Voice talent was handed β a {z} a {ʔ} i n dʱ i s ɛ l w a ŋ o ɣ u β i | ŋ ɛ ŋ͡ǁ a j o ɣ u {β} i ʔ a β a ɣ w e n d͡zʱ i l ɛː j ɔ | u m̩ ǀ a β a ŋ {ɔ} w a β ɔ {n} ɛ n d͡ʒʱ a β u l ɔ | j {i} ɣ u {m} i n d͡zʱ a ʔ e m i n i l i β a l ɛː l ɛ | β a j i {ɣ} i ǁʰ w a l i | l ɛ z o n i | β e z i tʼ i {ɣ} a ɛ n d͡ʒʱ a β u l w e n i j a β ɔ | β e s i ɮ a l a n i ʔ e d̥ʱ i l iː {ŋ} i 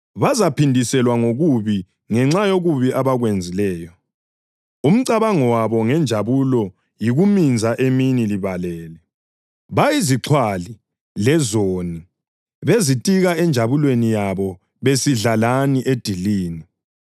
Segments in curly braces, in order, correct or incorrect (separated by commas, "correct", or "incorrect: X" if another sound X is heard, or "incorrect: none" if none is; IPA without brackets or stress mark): correct, incorrect: p, correct, correct, incorrect: ŋ, correct, correct, incorrect: z, correct, incorrect: n